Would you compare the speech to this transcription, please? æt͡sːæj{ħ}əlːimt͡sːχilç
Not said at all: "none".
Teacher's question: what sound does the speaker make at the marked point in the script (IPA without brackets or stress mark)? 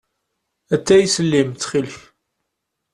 s